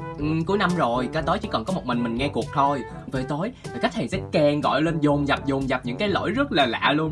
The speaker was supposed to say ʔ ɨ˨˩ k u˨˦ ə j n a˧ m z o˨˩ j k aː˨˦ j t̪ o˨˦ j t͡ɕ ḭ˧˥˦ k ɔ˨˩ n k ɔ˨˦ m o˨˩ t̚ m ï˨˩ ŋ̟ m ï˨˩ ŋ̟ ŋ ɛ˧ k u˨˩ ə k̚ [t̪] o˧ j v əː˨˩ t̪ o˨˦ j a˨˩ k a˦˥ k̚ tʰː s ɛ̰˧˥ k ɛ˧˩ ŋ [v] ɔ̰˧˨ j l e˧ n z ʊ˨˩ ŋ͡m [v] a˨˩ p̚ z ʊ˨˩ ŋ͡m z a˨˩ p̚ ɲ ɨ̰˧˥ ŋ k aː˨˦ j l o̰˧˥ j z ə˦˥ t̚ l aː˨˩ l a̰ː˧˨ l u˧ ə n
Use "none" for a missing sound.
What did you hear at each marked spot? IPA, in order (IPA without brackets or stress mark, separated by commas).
t̪ʰ, ɣ, z